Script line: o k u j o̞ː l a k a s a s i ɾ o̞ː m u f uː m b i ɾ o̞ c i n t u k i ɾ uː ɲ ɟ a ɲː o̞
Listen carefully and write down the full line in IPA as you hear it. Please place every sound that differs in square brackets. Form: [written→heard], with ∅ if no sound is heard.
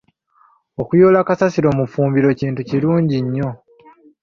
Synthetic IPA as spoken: o k u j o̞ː l a k a s a s i ɾ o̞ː m u f uː m b i ɾ o̞ c [i→iː] n t u [k→c] i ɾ uː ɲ ɟ [a→i] ɲː o̞